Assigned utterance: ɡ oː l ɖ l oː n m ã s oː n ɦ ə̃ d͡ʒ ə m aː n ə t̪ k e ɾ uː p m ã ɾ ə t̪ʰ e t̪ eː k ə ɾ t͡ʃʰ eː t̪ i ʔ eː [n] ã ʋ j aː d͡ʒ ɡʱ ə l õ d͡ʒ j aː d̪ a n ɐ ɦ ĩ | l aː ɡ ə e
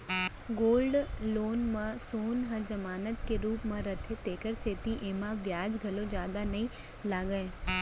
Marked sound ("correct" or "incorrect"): incorrect